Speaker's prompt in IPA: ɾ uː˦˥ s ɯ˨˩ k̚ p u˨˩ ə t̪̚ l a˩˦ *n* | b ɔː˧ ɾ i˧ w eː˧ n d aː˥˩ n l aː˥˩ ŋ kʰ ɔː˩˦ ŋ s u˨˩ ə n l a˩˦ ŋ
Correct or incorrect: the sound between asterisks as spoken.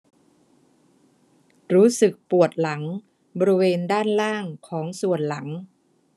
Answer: incorrect: ŋ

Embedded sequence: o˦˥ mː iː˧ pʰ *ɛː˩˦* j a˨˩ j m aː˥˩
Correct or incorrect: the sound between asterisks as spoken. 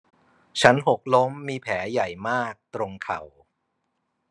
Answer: correct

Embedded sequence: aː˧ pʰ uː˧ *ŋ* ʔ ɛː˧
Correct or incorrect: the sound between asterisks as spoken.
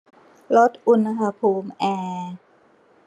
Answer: incorrect: m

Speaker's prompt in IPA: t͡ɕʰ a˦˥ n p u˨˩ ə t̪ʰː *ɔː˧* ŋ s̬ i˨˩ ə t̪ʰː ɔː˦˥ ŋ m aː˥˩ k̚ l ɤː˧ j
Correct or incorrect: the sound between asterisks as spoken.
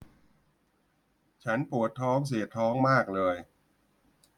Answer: incorrect: ɔː˦˥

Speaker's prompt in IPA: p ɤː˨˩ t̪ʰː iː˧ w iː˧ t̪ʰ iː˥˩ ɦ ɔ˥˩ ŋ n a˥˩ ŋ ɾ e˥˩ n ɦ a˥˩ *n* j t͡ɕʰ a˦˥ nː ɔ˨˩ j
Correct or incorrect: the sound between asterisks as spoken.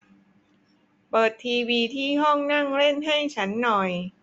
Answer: incorrect: none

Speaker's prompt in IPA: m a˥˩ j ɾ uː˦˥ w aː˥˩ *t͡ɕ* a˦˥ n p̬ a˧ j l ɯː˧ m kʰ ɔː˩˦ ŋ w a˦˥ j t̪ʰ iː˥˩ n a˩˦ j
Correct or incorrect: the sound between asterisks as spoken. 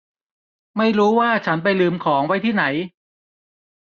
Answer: incorrect: t͡ɕʰ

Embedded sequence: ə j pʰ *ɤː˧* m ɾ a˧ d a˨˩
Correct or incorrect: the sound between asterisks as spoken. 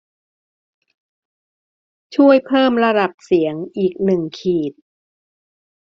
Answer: incorrect: ɤː˥˩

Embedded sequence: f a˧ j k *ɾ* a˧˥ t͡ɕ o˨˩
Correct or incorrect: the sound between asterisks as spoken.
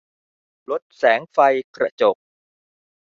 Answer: correct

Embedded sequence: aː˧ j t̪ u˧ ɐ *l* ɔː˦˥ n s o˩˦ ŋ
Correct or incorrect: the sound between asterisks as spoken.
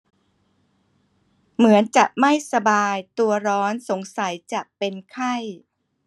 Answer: incorrect: ɾ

